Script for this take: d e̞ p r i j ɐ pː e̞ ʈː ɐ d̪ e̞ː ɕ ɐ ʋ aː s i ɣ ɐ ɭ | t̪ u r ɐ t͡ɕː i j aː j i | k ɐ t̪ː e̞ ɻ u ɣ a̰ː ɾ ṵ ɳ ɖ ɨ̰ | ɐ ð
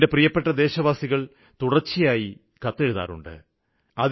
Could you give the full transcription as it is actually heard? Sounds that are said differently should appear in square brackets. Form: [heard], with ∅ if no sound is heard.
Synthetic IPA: d e̞ p r i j ɐ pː e̞ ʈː ɐ d̪ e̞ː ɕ ɐ ʋ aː s i ɣ ɐ ɭ | t̪ u [ɽ] ɐ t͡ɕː i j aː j i | k ɐ t̪ː e̞ ɻ u [ð] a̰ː ɾ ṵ ɳ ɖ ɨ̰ | ɐ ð